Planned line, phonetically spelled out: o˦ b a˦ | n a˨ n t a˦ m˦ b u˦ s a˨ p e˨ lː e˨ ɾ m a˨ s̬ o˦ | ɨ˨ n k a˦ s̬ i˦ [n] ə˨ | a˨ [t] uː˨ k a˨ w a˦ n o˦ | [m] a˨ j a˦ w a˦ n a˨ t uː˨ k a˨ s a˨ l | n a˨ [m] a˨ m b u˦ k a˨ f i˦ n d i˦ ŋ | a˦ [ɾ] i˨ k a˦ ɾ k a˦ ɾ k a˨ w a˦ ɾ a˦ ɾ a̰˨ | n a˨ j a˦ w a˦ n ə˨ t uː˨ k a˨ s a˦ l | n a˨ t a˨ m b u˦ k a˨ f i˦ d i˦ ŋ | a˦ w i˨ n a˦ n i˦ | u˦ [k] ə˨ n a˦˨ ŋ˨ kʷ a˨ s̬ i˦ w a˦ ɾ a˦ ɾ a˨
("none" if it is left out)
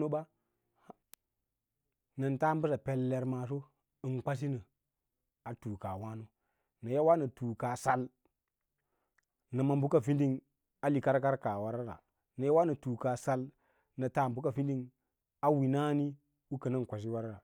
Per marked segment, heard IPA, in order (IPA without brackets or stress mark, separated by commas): n, t, n, m, l, k